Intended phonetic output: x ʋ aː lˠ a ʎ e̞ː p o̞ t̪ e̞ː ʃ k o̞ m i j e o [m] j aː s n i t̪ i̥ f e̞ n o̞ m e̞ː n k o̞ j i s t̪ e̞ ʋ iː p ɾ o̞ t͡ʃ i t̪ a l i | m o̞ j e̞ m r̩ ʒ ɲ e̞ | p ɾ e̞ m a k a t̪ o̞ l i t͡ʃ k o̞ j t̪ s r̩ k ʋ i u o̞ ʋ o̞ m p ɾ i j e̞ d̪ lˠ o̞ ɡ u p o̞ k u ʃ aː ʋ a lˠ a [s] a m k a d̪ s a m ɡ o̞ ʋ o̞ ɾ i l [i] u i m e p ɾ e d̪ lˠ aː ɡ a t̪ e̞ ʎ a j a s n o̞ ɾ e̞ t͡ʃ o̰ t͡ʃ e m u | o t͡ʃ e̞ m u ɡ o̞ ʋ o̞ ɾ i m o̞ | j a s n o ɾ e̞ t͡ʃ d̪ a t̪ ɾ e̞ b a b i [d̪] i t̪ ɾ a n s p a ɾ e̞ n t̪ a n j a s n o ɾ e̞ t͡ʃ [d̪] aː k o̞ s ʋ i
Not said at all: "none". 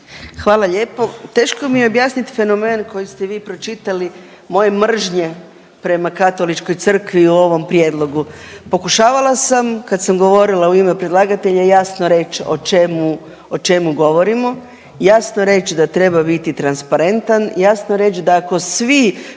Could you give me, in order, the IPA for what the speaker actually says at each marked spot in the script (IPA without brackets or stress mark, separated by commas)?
b, s, a, t̪, d̪